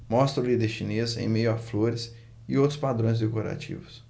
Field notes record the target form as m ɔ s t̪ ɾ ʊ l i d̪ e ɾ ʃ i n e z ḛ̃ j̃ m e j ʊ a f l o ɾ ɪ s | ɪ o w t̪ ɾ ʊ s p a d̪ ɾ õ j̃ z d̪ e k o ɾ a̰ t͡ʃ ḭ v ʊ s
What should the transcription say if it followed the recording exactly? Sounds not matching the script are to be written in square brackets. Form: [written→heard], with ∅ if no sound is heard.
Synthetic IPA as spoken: m ɔ s t̪ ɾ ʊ l i d̪ e ɾ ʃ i n e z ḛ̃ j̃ m e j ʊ a f l o ɾ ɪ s | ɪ o w t̪ ɾ ʊ s p a d̪ ɾ õ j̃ z d̪ e k o ɾ a̰ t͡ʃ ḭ v ʊ s